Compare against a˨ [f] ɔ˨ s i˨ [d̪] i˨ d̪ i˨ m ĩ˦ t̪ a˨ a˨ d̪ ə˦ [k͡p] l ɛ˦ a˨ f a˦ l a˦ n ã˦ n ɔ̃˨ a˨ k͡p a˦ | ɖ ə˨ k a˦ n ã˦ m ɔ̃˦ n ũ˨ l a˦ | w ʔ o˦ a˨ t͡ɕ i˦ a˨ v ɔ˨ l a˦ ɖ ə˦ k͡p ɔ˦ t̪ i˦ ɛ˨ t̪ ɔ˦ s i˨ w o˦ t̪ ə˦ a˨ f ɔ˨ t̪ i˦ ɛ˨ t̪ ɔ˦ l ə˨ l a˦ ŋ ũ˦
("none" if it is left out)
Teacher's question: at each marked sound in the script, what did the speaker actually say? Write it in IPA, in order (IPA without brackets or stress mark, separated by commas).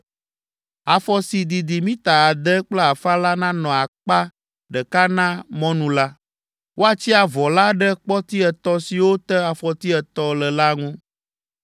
f, d̪, k͡p